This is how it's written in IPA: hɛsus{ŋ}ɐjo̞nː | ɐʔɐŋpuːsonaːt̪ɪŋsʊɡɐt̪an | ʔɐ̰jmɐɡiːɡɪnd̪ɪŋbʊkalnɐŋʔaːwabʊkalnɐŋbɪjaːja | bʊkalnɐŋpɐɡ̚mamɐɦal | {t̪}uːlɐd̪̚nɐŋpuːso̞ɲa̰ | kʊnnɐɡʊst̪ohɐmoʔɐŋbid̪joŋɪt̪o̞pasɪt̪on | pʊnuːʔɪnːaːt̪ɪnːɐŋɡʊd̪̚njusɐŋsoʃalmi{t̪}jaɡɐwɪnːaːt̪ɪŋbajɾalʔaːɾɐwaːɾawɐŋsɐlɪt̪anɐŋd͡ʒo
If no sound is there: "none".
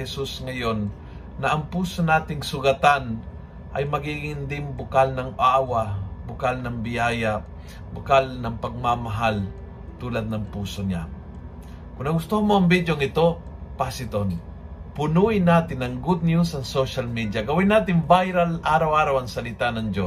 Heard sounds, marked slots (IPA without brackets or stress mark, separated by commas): ŋ, t̪, d̪